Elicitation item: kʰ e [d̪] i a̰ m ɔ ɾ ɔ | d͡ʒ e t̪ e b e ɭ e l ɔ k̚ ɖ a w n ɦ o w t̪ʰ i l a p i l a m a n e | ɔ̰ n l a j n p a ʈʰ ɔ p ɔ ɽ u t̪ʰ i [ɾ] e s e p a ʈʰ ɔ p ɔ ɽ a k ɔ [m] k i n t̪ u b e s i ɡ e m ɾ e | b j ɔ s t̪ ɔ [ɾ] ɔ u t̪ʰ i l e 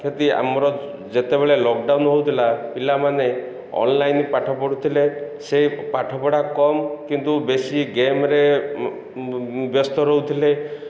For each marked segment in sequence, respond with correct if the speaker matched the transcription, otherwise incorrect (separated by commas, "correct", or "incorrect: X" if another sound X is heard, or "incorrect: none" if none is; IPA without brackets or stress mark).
incorrect: t̪, incorrect: l, correct, correct